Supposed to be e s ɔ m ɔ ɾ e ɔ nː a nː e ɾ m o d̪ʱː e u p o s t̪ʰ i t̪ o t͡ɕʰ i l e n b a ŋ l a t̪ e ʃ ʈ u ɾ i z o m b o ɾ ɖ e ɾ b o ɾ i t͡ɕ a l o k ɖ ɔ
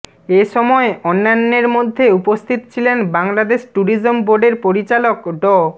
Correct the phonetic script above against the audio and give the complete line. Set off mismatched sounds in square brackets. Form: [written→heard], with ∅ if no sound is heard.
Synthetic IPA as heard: e [s→ʃ] ɔ m ɔ [ɾ→∅] e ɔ nː a nː e ɾ m o d̪ʱː e u p o s t̪ʰ i t̪ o t͡ɕʰ i l e n b a ŋ l a [t̪→d̪] e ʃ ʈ u ɾ i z o m b o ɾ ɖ e ɾ [b→p] o ɾ i t͡ɕ a l o k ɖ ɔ